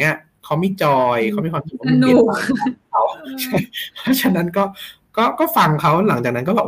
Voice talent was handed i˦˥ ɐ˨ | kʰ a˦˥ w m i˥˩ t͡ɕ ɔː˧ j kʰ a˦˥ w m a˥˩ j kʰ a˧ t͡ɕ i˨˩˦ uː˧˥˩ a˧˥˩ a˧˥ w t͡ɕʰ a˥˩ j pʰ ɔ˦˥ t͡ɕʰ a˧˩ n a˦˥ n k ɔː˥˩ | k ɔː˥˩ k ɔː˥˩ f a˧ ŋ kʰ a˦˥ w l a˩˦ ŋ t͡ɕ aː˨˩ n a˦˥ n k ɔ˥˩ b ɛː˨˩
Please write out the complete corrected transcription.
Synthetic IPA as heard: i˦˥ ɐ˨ | kʰ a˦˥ w m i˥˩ t͡ɕ ɔː˧ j kʰ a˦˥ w m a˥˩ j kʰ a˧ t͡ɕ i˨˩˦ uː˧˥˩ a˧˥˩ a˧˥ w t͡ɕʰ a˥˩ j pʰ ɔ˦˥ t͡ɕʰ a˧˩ n a˦˥ n k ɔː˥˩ | k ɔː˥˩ k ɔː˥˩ f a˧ ŋ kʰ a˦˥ w l a˩˦ ŋ t͡ɕ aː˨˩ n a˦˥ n k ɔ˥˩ b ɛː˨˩